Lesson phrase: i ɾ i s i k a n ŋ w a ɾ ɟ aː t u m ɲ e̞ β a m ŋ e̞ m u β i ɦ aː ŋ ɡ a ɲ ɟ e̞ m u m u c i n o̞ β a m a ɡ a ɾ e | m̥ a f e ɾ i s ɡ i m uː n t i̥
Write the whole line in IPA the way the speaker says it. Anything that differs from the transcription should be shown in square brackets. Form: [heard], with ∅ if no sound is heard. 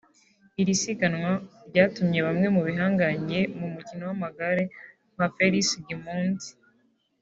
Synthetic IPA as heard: i ɾ i s i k a n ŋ w a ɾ ɟ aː t u m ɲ e̞ β a m ŋ e̞ m u β i ɦ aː ŋ ɡ a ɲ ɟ e̞ m u m u c i n o̞ [w] a m a ɡ a ɾ e | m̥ a f e ɾ i s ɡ i m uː n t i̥